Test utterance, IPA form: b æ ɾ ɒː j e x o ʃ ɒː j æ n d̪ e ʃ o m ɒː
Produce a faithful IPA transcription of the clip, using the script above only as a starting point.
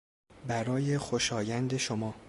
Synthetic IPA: b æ ɾ ɒː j e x o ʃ ɒː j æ n d̪ e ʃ o m ɒː

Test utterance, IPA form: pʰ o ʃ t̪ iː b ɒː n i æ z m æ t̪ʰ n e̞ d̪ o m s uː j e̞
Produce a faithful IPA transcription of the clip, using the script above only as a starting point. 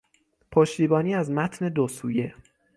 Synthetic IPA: pʰ o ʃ t̪ iː b ɒː n iː æ z m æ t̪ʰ n e̞ d̪ o s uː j e̞

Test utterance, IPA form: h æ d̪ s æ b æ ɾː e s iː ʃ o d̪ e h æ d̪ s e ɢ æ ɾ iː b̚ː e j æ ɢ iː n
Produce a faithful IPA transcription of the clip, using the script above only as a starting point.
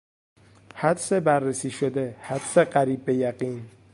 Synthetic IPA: h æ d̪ s e b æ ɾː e s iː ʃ o d̪ e h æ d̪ s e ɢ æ ɾ iː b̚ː e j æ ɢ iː n

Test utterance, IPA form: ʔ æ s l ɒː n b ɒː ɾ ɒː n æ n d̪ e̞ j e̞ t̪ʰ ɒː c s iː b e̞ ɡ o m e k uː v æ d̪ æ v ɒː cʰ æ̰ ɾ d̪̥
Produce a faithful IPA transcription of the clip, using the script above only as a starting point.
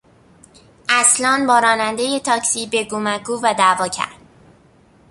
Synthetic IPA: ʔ æ s l ɒː n b ɒː ɾ ɒː n æ n d̪ e̞ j e̞ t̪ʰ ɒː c s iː b e̞ ɡ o m æ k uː v æ d̪ æ v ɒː cʰ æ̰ ɾ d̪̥

